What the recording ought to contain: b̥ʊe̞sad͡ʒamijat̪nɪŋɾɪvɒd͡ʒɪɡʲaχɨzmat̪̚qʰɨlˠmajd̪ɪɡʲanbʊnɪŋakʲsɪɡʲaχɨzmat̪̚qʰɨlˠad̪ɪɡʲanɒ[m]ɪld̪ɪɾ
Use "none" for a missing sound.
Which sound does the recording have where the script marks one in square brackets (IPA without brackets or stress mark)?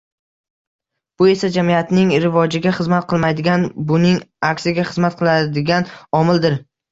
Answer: m